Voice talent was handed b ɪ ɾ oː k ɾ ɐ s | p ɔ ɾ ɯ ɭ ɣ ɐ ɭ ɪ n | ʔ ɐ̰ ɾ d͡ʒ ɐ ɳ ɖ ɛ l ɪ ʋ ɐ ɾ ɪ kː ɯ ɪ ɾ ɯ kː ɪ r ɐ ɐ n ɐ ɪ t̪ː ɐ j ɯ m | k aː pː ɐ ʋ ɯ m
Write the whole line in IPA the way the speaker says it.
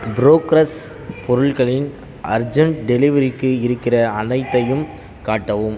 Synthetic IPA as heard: b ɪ ɾ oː k ɾ ɐ s | p ɔ ɾ ɯ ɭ ɣ ɐ ɭ ɪ n | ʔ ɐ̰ ɾ d͡ʒ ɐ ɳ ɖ ɛ l ɪ ʋ ɐ ɾ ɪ kː ɯ ɪ ɾ ɯ kː ɪ r ɐ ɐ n ɐ ɪ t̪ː ɐ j ɯ m | k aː ʈː ɐ ʋ ɯ m